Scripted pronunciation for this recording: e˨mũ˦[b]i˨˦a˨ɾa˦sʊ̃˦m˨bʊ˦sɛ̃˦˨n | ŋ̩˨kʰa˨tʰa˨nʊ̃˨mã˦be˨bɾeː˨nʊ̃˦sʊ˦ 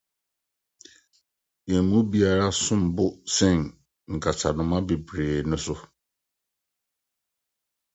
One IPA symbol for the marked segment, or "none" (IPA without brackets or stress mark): b